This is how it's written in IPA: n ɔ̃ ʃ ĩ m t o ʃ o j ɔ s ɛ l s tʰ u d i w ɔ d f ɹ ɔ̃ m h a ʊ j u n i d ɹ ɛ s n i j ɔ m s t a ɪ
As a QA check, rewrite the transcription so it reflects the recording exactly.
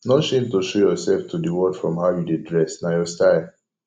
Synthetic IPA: n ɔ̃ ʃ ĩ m t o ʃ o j ɔ s ɛ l f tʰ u d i w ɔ d f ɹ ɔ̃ m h a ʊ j u d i d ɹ ɛ s n a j ɔ s t a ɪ